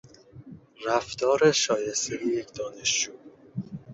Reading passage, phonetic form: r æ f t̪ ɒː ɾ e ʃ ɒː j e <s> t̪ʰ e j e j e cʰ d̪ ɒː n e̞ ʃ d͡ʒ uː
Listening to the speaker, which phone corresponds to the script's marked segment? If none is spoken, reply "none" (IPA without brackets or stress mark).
s